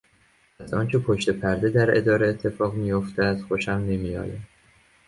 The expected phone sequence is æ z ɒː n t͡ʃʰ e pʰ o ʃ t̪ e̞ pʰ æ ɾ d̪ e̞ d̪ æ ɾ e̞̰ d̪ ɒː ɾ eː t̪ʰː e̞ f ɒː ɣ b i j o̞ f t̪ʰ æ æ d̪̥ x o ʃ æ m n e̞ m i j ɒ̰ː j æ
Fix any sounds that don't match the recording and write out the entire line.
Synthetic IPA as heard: æ z ɒː n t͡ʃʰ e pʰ o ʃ t̪ e̞ pʰ æ ɾ d̪ e̞ d̪ æ ɾ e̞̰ d̪ ɒː ɾ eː t̪ʰː e̞ f ɒː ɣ m i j o̞ f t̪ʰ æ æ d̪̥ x o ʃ æ m n e̞ m i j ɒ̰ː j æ